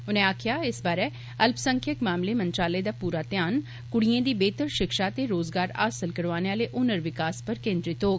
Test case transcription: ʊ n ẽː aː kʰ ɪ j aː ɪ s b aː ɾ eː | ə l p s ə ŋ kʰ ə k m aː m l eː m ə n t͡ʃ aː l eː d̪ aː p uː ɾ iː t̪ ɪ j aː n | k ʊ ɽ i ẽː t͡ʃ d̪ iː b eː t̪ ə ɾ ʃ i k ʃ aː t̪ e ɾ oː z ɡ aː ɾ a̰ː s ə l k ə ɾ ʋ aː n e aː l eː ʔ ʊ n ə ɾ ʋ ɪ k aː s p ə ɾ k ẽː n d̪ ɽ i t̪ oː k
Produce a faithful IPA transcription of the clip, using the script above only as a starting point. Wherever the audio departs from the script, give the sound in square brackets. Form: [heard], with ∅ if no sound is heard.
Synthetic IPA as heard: ʊ n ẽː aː kʰ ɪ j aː ɪ s b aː ɾ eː | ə l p s ə ŋ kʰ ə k m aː m l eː m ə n t͡ʃ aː l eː d̪ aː p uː ɾ [aː] t̪ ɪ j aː n | k ʊ ɽ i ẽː [∅] d̪ iː b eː t̪ ə ɾ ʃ [ɪ] k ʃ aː t̪ e ɾ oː z ɡ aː ɾ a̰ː s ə l k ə ɾ ʋ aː n e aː l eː ʔ ʊ n ə ɾ ʋ ɪ k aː s p ə ɾ k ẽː n d̪ [ɾ] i t̪ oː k

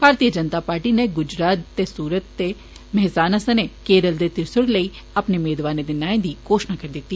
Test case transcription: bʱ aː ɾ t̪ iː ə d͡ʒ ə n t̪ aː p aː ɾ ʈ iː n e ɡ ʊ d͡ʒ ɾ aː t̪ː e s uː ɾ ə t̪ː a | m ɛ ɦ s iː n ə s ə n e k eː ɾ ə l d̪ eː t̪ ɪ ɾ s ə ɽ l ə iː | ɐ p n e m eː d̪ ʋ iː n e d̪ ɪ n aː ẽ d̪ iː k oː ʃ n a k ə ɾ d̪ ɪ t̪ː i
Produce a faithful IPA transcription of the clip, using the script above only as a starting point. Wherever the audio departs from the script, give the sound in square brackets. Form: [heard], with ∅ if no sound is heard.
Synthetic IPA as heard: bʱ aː ɾ t̪ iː ə d͡ʒ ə n t̪ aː p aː ɾ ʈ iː n e ɡ ʊ d͡ʒ ɾ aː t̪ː e s uː ɾ ə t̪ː [e] | m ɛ ɦ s [aː] n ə s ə n e k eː ɾ ə l d̪ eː t̪ ɪ ɾ s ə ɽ l ə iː | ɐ p n e m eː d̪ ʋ [aː] n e d̪ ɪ n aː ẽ d̪ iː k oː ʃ n a k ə ɾ d̪ ɪ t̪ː i

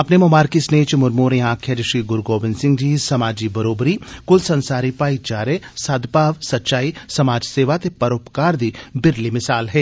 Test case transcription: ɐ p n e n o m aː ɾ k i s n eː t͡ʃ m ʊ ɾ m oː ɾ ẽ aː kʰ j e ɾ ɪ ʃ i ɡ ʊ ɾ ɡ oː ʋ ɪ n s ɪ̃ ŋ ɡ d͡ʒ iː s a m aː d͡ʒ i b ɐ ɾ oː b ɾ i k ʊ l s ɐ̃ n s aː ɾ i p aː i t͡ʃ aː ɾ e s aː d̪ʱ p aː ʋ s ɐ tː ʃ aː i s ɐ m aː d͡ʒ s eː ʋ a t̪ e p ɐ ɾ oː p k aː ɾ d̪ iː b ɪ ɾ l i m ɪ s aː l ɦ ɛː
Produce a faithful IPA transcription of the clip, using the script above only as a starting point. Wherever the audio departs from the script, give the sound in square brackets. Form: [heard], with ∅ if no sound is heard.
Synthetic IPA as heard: ɐ p n e [m] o m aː ɾ k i s n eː t͡ʃ m ʊ ɾ m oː ɾ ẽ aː kʰ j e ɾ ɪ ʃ i ɡ ʊ ɾ ɡ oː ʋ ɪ n s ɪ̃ ŋ ɡ d͡ʒ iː s [ɐ] m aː d͡ʒ i b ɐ ɾ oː b ɾ i k ʊ l s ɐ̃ n s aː ɾ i p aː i t͡ʃ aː ɾ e s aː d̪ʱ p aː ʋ s ɐ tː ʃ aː i s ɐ m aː d͡ʒ s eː ʋ a t̪ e p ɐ ɾ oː p k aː ɾ d̪ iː b ɪ ɾ l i m ɪ s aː l ɦ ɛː

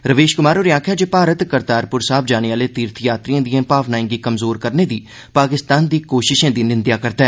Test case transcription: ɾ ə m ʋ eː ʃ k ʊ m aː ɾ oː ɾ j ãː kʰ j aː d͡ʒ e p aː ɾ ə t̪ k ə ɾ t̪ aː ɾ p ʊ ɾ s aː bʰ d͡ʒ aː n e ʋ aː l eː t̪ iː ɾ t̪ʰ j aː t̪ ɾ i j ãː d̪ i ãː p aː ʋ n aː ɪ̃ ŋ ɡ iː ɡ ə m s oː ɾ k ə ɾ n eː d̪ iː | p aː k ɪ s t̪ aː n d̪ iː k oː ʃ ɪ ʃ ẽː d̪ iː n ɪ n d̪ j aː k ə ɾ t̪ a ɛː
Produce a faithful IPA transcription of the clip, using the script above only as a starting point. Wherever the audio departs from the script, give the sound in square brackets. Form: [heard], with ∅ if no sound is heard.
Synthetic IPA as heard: ɾ ə [∅] ʋ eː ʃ k ʊ m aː ɾ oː ɾ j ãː kʰ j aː d͡ʒ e p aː ɾ ə t̪ k ə ɾ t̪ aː ɾ p ʊ ɾ s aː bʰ d͡ʒ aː n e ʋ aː l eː t̪ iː ɾ t̪ʰ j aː t̪ ɾ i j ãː d̪ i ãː p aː ʋ n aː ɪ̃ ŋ ɡ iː [k] ə m [z] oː ɾ k ə ɾ n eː d̪ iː | p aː k ɪ s t̪ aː n d̪ iː k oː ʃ ɪ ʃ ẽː d̪ iː n ɪ n d̪ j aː k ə ɾ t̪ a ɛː

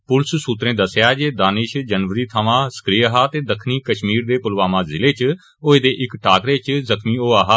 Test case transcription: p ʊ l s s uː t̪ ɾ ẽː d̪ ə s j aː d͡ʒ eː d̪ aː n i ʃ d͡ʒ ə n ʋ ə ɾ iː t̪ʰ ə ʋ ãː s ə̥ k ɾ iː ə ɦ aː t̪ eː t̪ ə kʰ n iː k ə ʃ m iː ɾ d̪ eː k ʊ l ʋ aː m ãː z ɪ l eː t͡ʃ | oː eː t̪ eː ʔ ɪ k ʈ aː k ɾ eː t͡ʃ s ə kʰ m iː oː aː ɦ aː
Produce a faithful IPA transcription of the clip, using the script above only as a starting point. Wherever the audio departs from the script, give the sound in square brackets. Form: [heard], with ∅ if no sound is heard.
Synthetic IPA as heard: p ʊ l s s uː t̪ ɾ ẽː d̪ ə s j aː d͡ʒ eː d̪ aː n [ɪ] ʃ d͡ʒ ə n ʋ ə ɾ iː t̪ʰ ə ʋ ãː s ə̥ k ɾ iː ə ɦ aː t̪ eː [d̪] ə kʰ n iː k ə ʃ m iː ɾ d̪ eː [p] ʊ l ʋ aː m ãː z ɪ l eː t͡ʃ | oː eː [d̪] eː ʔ ɪ k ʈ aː k ɾ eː t͡ʃ [z] ə kʰ m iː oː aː ɦ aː

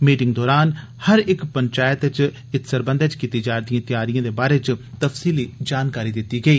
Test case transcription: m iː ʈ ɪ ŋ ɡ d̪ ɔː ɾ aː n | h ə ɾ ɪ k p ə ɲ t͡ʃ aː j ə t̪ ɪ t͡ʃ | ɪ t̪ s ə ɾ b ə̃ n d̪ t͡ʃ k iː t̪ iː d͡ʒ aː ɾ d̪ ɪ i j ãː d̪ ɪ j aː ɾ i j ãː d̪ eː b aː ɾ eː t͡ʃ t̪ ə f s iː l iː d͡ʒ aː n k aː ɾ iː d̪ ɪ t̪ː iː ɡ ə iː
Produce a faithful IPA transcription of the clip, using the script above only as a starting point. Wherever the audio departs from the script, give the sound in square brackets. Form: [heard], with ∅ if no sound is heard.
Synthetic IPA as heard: m iː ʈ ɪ ŋ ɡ d̪ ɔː ɾ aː n | h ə ɾ ɪ k p ə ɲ t͡ʃ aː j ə t̪ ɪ t͡ʃ | ɪ t̪ s ə ɾ b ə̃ n d̪ t͡ʃ k iː t̪ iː d͡ʒ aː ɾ d̪ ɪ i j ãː [t̪] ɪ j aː ɾ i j ãː d̪ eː b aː ɾ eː t͡ʃ t̪ ə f s iː l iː d͡ʒ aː n k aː ɾ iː d̪ ɪ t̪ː iː ɡ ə iː

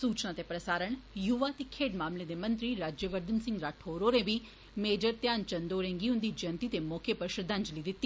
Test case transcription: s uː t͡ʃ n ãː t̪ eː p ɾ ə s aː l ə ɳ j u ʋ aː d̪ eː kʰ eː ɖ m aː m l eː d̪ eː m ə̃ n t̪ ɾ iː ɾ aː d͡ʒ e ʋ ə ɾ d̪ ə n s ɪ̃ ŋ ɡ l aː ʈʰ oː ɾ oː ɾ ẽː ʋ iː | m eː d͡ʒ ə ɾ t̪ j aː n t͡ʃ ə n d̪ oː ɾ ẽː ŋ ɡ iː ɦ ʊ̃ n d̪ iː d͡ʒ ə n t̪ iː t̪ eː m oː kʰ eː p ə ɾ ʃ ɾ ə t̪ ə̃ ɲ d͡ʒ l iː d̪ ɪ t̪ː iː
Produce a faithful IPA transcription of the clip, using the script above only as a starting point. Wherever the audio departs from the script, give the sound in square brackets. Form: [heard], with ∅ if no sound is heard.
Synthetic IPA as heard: s uː t͡ʃ n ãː t̪ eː p ɾ ə s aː [ɾ] ə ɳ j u ʋ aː [t̪] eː kʰ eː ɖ m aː m l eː d̪ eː m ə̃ n t̪ ɾ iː ɾ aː d͡ʒ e ʋ ə ɾ d̪ ə n s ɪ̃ ŋ ɡ [ɾ] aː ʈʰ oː ɾ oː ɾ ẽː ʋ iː | m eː d͡ʒ ə ɾ t̪ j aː n t͡ʃ ə n d̪ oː ɾ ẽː ŋ ɡ iː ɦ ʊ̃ n d̪ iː d͡ʒ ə n t̪ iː t̪ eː m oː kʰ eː p ə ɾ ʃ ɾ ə [d̪] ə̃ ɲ d͡ʒ l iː d̪ ɪ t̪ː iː

